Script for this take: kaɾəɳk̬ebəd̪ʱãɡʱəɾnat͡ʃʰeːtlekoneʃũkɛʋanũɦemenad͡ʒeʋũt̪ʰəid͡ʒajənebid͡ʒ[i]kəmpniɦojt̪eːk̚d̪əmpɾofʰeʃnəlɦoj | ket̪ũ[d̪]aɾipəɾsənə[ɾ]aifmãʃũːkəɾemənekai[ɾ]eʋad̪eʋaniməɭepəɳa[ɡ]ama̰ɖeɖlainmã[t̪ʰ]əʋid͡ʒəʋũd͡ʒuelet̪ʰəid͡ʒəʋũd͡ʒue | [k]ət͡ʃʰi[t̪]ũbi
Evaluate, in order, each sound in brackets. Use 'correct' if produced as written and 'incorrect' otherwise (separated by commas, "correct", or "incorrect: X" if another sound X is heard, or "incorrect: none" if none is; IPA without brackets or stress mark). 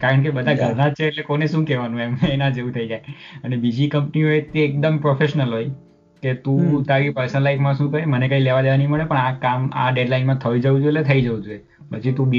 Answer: correct, incorrect: t̪, incorrect: l, incorrect: l, incorrect: k, correct, incorrect: p, correct